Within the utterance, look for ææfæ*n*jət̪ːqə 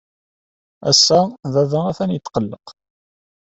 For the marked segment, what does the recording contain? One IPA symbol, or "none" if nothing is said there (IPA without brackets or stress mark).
n